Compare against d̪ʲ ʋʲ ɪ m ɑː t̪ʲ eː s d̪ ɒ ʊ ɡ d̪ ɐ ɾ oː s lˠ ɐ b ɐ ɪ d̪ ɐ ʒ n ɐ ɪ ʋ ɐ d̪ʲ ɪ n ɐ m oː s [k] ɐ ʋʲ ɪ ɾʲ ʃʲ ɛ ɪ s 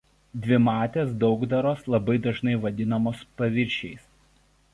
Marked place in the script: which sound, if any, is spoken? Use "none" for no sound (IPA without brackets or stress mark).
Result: p